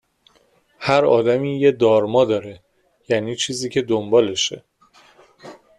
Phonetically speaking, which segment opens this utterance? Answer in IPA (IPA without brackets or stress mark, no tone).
h